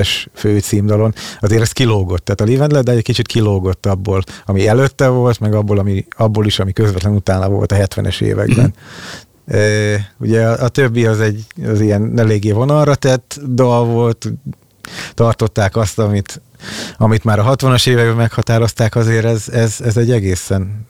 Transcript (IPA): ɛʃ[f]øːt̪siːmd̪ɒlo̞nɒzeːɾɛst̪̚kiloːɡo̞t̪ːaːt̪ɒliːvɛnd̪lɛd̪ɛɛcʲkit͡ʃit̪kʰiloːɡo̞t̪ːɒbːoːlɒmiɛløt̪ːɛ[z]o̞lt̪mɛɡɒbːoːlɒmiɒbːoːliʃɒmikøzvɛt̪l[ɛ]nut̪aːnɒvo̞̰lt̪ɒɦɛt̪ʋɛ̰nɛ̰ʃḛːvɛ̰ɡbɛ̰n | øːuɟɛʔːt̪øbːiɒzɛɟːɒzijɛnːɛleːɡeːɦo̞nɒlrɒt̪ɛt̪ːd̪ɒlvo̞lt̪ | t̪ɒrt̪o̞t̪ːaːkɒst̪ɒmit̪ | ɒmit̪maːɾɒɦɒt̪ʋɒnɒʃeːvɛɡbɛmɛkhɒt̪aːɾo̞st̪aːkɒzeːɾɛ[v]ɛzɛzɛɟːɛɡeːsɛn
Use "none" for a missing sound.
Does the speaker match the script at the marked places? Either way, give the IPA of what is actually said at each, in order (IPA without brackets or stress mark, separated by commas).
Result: f, v, ɛ, z